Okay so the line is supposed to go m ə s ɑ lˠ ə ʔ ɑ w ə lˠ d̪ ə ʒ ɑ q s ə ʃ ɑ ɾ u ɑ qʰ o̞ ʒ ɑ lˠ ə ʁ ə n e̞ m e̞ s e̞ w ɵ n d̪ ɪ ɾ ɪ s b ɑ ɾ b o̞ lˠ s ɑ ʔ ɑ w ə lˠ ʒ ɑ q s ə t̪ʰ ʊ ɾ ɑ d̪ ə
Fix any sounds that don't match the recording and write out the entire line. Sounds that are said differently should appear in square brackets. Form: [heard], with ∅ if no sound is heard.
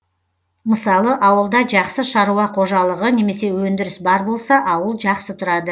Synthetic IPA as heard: m ə s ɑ lˠ ə ʔ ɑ w ə lˠ d̪ [ɑ] ʒ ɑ q s ə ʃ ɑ ɾ u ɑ qʰ o̞ ʒ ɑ lˠ ə ʁ ə n e̞ m e̞ s e̞ w ɵ n d̪ ɪ ɾ ɪ s b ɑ ɾ b o̞ lˠ s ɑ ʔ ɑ w ə lˠ ʒ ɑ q s ə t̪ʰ ʊ ɾ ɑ d̪ ə